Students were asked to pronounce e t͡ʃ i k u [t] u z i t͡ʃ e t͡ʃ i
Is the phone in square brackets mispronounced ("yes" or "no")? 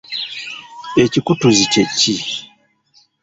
no